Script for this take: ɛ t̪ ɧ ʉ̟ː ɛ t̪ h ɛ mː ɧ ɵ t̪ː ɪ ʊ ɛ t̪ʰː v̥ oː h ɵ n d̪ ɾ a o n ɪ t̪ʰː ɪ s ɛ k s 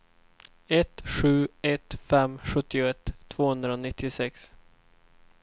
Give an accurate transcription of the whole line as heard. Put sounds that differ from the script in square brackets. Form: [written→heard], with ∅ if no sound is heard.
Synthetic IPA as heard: ɛ t̪ ɧ ʉ̟ː ɛ t̪ [h→f] ɛ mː ɧ ɵ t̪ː ɪ ʊ ɛ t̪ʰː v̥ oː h ɵ n d̪ ɾ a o n ɪ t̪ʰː ɪ s ɛ k s

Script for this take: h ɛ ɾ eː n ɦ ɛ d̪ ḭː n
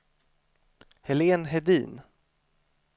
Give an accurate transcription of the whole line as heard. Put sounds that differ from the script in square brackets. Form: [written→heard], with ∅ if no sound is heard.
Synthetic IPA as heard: h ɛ [ɾ→l] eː n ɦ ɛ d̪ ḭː n

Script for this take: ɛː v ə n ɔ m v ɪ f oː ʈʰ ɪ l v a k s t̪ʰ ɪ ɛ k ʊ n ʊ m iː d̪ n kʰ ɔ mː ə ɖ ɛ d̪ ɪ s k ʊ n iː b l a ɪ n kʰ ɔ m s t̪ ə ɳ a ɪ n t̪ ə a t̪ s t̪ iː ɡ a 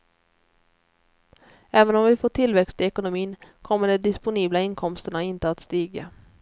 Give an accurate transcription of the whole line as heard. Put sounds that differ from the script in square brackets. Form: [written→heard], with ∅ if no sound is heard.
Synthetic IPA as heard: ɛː v ə n ɔ m v ɪ f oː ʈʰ ɪ l v [a→ɛ] k s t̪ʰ ɪ ɛ k ʊ n ʊ m iː [d̪→∅] n kʰ ɔ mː ə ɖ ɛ d̪ ɪ s [k→p] ʊ n iː b l a ɪ n kʰ ɔ m s t̪ ə ɳ a ɪ n t̪ ə a t̪ s t̪ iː ɡ a

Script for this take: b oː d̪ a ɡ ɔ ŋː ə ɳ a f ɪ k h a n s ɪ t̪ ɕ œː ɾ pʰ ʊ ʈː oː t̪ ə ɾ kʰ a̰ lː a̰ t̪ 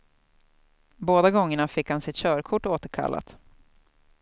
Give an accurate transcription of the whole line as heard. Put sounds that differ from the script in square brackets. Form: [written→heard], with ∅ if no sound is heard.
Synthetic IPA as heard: b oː d̪ a ɡ ɔ ŋː ə ɳ a f ɪ k h a n s ɪ t̪ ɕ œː ɾ [pʰ→kʰ] ʊ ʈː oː t̪ ə ɾ kʰ a̰ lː a̰ t̪

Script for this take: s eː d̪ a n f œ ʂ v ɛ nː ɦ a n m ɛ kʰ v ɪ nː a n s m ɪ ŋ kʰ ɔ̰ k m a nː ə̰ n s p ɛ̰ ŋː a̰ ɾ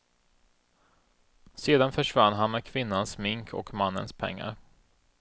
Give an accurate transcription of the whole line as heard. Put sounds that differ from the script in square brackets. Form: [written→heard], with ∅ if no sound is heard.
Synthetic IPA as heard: s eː d̪ a n f œ ʂ v [ɛ→a] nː ɦ a n m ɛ kʰ v ɪ nː a n s m ɪ ŋ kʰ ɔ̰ k m a nː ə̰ n s [p→pʰ] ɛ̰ ŋː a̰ ɾ

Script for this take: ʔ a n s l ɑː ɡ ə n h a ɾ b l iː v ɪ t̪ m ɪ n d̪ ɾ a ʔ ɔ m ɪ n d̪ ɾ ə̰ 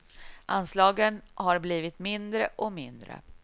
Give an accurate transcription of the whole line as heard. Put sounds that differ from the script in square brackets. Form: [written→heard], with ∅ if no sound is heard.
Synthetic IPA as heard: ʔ a n s l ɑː ɡ ə n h a ɾ b l iː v ɪ t̪ m ɪ n d̪ ɾ [a→ə] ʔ ɔ m ɪ n d̪ ɾ ə̰

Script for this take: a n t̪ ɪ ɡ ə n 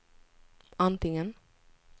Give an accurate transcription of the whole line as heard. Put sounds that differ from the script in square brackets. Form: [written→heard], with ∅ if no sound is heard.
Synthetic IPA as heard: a n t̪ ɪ [ɡ→ŋ] ə n

